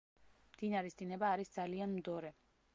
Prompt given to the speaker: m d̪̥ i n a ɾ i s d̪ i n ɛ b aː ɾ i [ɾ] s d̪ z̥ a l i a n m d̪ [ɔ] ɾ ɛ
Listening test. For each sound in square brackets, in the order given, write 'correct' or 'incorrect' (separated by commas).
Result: incorrect, correct